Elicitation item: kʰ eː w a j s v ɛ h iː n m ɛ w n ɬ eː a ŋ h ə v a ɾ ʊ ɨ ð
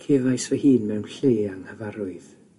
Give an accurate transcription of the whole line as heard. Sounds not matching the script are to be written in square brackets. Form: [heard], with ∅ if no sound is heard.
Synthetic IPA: kʰ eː [v] a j s v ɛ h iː n m ɛ w n ɬ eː a ŋ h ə v a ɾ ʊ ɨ ð